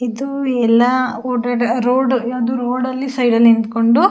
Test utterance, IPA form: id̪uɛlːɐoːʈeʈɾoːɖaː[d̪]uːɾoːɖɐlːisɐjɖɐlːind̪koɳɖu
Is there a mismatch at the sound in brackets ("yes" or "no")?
no